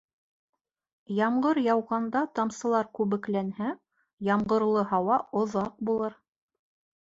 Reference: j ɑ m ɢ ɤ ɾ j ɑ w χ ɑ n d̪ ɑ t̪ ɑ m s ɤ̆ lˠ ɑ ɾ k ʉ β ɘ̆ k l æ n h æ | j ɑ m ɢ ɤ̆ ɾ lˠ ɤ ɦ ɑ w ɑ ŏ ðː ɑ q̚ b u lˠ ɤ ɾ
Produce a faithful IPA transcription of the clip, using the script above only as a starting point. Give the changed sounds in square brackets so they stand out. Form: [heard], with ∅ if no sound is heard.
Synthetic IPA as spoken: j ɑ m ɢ ɤ ɾ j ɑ w [ʁ] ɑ n d̪ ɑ t̪ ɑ m s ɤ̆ lˠ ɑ ɾ k ʉ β ɘ̆ k l æ n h æ | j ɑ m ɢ ɤ̆ ɾ lˠ ɤ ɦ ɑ w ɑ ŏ [ð] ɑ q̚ b u lˠ ɤ ɾ